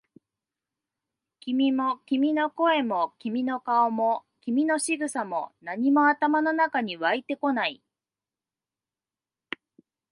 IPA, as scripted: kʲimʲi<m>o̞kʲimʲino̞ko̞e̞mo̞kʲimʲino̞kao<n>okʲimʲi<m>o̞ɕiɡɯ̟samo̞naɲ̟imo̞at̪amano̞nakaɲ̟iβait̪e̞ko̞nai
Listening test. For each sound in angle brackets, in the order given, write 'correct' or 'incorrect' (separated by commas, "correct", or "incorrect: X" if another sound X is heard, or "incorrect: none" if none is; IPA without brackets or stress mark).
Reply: correct, incorrect: m, incorrect: n